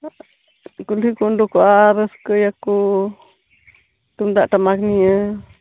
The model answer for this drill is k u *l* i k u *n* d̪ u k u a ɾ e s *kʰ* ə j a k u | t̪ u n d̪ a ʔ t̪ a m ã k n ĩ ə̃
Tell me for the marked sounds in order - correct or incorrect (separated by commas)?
correct, correct, incorrect